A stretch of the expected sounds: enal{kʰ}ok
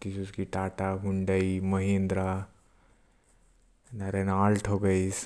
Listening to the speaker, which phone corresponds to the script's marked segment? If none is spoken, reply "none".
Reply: ʈʰ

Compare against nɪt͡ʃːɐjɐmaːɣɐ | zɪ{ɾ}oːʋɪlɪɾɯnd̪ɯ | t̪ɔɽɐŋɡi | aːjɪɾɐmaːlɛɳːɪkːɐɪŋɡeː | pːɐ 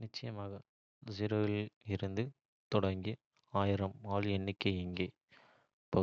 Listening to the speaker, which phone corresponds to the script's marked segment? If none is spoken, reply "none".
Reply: ɾ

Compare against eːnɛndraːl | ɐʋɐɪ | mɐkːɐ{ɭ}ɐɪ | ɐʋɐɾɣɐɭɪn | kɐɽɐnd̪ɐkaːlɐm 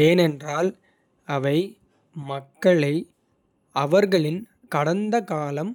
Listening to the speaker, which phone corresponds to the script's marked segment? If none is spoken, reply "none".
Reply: ɭ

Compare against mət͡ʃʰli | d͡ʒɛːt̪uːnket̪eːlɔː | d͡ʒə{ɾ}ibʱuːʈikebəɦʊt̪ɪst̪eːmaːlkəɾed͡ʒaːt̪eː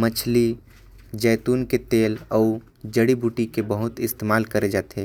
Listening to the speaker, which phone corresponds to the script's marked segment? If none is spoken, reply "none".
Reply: ɽ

